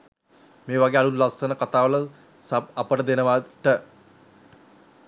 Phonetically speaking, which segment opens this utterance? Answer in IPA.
m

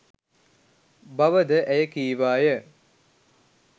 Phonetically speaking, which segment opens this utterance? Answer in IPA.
b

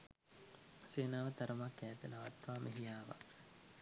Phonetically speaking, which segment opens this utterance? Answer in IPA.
s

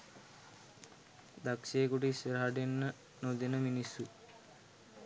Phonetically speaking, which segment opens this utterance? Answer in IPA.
d̪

